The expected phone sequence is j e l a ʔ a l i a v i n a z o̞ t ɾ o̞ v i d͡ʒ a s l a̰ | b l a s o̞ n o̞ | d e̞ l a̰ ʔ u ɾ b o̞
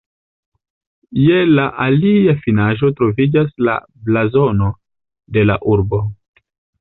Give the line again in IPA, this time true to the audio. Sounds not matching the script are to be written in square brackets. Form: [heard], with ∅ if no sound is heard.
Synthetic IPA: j e l a ʔ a l i a [f] i n a [ʒ] o̞ t ɾ o̞ v i d͡ʒ a s l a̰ | b l a [z] o̞ n o̞ | d e̞ l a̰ ʔ u ɾ b o̞